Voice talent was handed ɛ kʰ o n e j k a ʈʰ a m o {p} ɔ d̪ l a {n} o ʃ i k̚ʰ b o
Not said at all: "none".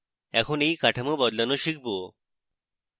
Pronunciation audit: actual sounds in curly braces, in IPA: b, n

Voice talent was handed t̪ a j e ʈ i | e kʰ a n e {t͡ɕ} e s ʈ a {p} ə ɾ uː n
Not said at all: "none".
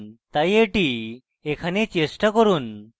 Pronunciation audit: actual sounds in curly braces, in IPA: t͡ɕ, k

